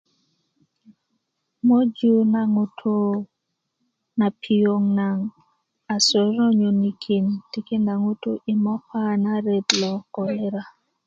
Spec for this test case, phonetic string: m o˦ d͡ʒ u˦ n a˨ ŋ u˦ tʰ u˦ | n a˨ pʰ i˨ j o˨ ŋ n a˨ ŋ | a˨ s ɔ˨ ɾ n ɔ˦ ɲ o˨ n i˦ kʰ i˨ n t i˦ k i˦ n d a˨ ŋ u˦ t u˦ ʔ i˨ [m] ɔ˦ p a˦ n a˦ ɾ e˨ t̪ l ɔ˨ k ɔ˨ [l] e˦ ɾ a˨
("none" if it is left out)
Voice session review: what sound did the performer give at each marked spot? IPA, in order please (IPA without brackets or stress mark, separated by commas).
m, l